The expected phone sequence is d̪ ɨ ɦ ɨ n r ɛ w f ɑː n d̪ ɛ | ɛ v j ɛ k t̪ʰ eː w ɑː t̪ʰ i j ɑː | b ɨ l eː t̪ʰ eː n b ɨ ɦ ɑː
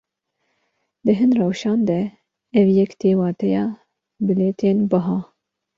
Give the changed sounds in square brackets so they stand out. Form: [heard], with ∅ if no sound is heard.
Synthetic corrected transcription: d̪ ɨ ɦ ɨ n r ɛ w [ʃ] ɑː n d̪ ɛ | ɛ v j ɛ k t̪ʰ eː w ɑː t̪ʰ [ɛ] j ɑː | b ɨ l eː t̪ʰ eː n b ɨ ɦ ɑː